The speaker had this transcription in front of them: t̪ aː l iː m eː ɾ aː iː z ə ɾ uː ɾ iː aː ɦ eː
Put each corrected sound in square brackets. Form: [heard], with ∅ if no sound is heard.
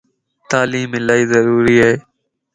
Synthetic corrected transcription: t̪ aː l iː m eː [l] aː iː z ə ɾ uː ɾ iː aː ɦ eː